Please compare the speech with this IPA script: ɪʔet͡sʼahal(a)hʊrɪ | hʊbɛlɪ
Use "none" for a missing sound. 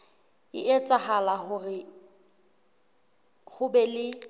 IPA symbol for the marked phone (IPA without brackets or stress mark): a